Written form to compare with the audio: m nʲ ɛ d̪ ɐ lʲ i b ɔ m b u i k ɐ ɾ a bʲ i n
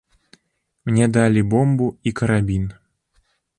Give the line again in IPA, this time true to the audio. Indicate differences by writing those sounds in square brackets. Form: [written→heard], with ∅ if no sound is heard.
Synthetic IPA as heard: m nʲ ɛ d̪ [ɐ→a] lʲ i b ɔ m b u i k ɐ ɾ a bʲ i n